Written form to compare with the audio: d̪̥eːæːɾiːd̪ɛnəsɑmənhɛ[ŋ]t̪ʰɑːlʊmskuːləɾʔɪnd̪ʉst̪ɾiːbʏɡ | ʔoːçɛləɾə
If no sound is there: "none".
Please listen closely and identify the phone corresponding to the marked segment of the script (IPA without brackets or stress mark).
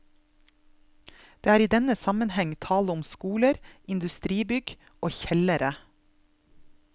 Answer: ŋ